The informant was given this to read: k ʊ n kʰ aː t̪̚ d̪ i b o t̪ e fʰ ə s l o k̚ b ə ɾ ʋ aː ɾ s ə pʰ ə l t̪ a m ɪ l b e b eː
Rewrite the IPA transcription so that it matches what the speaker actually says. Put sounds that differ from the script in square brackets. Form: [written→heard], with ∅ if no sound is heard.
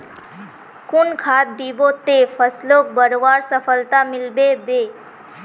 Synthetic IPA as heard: k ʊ n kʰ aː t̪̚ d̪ i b o t̪ e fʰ ə s l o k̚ b ə ɾ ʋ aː ɾ s ə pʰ ə l t̪ a m ɪ l b e b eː